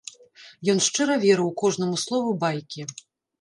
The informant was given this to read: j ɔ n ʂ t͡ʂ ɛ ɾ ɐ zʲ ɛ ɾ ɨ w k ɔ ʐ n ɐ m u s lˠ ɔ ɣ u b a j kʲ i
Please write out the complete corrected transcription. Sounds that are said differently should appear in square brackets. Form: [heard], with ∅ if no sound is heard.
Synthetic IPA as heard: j ɔ n ʂ t͡ʂ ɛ ɾ ɐ [vʲ] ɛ ɾ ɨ w k ɔ ʐ n ɐ m u s lˠ ɔ [v] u b a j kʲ i